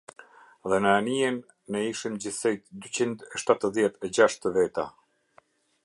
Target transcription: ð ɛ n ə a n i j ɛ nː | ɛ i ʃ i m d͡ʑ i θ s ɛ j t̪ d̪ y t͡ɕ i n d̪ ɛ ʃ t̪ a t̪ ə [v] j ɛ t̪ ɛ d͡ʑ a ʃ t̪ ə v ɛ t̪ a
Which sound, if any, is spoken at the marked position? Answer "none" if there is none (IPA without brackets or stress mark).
ð